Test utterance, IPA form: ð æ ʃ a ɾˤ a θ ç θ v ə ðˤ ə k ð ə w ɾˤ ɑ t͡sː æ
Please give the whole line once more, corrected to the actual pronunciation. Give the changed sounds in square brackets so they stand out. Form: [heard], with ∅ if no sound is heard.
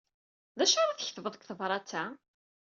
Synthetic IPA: ð æ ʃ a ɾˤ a θ ç θ v ə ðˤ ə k [θ] ə [v] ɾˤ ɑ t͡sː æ